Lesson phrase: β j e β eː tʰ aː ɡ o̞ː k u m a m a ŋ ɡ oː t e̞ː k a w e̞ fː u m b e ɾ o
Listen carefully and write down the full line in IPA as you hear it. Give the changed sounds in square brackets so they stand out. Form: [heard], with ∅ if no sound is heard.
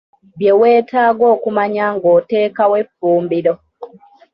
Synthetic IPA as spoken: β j e [w] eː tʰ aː ɡ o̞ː k u m a [ɲ] a ŋ ɡ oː t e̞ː k a w e̞ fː [uː] m b [i] ɾ o